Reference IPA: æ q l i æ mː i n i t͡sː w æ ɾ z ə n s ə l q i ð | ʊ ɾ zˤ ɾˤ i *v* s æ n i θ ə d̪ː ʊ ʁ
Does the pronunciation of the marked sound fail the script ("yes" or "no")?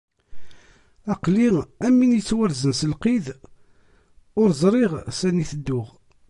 yes